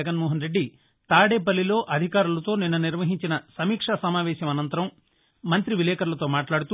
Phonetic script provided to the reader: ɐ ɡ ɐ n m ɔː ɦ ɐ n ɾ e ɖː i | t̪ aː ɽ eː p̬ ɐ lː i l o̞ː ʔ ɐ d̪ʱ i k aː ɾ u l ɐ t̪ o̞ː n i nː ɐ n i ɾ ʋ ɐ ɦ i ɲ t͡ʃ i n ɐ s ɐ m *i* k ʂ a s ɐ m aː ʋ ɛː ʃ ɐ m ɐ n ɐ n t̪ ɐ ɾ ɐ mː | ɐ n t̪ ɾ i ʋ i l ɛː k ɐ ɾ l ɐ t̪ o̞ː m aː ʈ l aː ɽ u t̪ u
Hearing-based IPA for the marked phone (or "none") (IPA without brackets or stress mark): iː